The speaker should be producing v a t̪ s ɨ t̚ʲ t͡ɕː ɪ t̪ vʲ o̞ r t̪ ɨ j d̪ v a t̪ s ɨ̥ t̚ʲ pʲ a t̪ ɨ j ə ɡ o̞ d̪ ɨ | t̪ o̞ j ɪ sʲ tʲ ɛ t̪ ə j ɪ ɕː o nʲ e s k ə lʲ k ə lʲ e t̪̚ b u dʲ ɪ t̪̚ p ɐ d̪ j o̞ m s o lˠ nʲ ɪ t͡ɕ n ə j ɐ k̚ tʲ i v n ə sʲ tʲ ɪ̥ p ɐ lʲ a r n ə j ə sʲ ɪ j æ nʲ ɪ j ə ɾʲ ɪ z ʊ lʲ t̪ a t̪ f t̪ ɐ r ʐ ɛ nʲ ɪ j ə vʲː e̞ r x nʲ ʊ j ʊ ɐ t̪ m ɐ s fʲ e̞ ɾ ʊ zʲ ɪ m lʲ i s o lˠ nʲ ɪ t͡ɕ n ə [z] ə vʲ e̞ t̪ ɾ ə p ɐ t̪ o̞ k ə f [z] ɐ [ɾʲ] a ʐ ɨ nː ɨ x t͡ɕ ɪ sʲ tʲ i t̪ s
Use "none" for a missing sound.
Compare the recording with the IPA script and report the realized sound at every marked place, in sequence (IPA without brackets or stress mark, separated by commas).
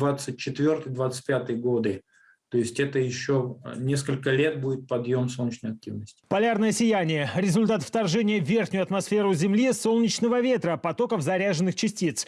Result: v, z, ɾʲ